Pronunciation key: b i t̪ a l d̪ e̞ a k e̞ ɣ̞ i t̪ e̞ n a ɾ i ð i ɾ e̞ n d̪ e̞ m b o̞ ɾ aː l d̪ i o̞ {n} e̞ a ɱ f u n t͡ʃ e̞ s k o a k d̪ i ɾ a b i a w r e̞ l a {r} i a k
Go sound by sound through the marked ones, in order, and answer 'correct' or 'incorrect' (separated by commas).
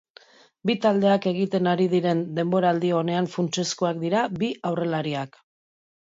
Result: correct, incorrect